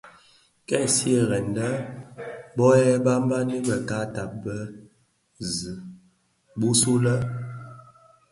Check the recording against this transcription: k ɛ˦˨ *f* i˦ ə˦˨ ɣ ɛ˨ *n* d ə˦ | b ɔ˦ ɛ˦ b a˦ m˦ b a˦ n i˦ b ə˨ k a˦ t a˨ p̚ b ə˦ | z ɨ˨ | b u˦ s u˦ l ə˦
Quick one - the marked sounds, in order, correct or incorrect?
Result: incorrect, correct

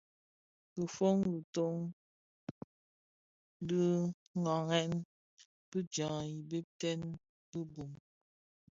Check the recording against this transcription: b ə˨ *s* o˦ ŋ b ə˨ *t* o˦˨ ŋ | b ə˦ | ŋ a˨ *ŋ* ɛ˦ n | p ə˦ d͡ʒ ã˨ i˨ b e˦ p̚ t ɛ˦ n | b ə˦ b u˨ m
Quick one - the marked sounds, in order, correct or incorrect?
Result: incorrect, correct, correct

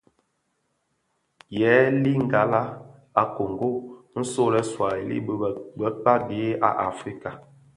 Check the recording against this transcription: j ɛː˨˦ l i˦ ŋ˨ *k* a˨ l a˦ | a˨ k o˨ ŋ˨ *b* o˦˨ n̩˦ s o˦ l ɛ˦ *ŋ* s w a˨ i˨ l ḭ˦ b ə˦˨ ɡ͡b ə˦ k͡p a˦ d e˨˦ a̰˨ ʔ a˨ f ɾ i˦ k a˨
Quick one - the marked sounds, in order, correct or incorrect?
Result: incorrect, incorrect, incorrect

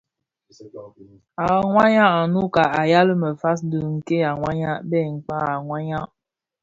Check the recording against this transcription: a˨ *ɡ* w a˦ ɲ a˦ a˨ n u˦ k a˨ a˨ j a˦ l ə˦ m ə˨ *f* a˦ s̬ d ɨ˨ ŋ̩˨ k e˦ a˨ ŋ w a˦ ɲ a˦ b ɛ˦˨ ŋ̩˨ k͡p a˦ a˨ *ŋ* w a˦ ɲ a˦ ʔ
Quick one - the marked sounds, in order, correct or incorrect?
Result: incorrect, correct, correct

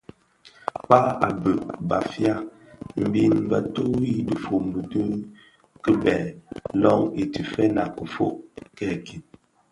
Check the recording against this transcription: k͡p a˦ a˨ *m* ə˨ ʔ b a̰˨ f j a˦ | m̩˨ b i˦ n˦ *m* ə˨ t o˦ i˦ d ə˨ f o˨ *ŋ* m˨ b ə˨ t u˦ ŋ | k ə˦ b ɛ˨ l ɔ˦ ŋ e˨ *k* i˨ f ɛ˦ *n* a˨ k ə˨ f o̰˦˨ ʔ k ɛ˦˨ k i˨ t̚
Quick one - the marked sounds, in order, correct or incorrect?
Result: incorrect, incorrect, incorrect, incorrect, correct

